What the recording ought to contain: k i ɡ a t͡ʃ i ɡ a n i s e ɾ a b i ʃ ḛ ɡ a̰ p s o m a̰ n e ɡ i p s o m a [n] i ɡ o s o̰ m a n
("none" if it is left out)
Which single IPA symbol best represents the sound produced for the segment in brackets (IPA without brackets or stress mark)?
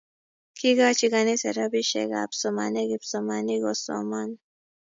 n